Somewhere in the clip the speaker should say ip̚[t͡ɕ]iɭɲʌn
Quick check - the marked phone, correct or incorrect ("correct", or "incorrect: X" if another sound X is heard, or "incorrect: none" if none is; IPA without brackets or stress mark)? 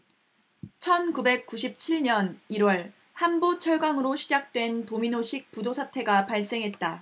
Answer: incorrect: t͡ɕʰ